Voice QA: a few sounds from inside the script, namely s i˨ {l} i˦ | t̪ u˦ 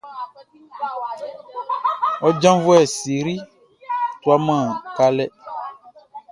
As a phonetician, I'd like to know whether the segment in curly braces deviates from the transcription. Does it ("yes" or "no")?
yes